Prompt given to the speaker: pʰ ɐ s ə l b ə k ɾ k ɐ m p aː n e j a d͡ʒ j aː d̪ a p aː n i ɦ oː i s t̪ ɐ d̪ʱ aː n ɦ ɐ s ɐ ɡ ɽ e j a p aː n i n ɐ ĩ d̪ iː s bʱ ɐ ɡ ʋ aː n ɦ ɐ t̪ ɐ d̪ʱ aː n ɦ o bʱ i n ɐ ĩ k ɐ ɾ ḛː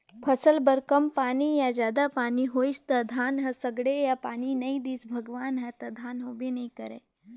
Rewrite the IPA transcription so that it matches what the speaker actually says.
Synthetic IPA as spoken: pʰ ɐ s ə l b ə ɾ k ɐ m p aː n i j a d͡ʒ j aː d̪ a p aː n i ɦ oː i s t̪ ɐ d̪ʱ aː n ɦ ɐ s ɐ ɡ ɽ e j a p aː n i n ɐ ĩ d̪ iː s bʱ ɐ ɡ ʋ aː n ɦ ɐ t̪ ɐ d̪ʱ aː n ɦ o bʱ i n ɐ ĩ k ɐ ɾ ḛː